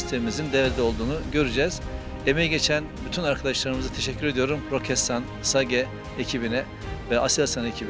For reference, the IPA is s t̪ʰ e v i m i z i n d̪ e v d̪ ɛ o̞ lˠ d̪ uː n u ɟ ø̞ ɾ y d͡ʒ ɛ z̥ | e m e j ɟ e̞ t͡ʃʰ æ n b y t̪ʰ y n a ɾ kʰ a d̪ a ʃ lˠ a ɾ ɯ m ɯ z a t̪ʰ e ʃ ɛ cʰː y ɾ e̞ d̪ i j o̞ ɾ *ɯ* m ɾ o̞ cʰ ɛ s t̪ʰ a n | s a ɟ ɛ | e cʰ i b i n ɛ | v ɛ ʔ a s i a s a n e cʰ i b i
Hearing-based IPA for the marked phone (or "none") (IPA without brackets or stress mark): u